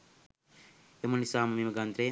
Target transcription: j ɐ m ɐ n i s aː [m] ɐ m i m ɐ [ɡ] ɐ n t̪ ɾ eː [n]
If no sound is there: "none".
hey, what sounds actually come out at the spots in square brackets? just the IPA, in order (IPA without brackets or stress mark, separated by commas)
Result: m, ɡ, none